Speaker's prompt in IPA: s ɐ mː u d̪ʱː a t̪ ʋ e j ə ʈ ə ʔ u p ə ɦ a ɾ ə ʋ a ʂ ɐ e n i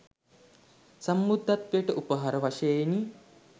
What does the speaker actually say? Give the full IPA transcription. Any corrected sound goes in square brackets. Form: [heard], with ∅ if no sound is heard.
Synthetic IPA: s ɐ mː u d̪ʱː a t̪ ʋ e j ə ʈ ə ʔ u p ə ɦ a ɾ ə ʋ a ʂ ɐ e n i